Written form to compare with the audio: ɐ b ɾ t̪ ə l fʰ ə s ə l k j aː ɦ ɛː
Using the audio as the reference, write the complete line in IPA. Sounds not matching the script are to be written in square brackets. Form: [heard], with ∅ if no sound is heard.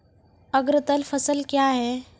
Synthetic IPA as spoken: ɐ [ɡ] ɾ t̪ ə l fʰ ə s ə l k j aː ɦ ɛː